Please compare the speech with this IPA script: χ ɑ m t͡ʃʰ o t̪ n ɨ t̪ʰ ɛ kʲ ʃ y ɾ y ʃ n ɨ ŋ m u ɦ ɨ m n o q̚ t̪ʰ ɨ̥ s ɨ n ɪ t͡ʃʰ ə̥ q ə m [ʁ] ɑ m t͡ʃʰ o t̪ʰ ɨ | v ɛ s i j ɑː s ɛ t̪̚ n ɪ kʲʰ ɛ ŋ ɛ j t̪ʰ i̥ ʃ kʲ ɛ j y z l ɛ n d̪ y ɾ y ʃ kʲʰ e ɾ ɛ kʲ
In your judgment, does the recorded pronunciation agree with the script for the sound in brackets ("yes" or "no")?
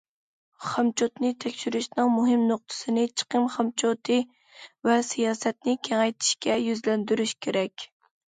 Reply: no